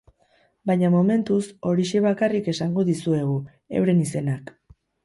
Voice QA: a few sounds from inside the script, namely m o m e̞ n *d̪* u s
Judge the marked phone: incorrect: t̪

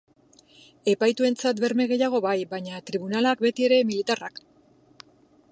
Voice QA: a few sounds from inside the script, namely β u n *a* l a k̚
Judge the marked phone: correct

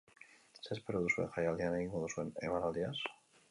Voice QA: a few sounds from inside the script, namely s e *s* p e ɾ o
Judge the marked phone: correct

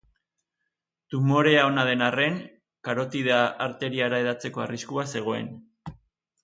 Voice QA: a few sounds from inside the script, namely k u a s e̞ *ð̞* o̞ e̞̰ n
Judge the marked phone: incorrect: ɣ̞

